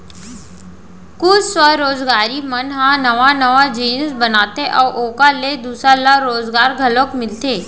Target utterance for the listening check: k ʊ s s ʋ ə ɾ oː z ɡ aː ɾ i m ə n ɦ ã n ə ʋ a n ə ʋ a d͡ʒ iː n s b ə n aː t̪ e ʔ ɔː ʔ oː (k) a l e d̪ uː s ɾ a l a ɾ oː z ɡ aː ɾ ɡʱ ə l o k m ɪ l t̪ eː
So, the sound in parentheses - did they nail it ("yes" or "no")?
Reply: yes